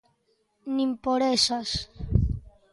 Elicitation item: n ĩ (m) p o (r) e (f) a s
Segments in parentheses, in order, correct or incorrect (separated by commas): correct, incorrect, incorrect